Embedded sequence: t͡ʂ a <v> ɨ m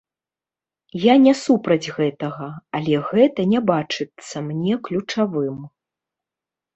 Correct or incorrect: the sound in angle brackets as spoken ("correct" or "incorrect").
correct